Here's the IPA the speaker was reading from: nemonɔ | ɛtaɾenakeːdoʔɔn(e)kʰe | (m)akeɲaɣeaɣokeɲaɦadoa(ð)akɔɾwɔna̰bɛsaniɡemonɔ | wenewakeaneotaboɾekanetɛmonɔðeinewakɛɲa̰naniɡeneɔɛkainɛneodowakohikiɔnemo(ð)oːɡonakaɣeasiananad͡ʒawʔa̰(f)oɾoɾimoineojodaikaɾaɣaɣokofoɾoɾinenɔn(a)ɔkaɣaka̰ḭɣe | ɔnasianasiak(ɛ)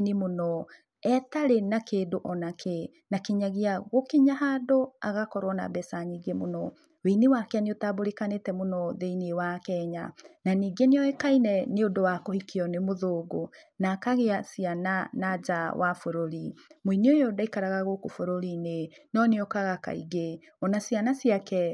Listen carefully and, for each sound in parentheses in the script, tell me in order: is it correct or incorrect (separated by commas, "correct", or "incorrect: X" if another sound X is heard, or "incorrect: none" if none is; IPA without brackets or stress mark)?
incorrect: a, incorrect: n, incorrect: ɣ, correct, correct, incorrect: e, correct